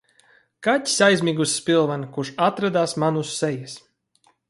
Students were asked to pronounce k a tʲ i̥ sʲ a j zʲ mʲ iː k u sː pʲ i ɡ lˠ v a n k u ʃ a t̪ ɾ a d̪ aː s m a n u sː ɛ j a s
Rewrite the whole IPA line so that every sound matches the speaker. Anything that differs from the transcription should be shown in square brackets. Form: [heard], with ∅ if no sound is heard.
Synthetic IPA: k a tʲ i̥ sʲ a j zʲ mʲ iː [ɡ] u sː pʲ i [∅] lˠ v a n k u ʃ a t̪ ɾ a d̪ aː s m a n u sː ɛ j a s